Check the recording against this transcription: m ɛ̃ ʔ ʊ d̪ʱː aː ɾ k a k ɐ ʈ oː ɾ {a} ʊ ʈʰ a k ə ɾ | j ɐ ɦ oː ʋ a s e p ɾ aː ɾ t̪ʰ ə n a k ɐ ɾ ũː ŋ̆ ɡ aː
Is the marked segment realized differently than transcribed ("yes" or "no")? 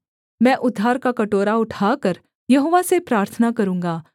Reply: no